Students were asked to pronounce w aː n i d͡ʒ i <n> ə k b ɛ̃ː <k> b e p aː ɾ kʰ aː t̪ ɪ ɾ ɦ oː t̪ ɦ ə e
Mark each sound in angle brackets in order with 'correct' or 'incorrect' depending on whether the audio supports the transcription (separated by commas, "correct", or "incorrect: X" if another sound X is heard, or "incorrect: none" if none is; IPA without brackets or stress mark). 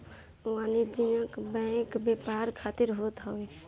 correct, correct